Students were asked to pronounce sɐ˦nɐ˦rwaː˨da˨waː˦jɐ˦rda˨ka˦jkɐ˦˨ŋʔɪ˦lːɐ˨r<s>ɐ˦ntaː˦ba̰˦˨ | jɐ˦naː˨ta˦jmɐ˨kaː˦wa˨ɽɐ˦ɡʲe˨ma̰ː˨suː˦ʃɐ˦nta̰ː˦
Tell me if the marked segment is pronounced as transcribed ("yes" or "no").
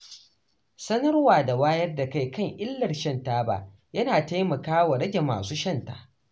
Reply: no